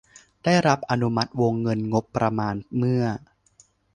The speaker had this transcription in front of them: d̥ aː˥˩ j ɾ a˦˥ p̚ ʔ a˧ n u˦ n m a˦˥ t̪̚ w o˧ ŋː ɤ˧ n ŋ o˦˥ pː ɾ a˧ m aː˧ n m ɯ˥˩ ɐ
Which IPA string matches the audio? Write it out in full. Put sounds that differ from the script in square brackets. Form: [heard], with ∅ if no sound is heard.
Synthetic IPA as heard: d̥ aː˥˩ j ɾ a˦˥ p̚ ʔ a˧ n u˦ [∅] m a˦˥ t̪̚ w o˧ ŋː ɤ˧ n ŋ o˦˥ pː ɾ a˧ m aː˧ n m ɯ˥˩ ɐ